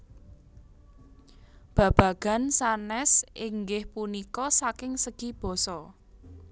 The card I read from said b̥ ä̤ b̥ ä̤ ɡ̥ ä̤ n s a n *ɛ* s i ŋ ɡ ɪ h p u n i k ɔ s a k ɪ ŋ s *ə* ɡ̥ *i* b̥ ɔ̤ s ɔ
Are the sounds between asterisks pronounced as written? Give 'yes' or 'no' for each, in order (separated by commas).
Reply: yes, yes, yes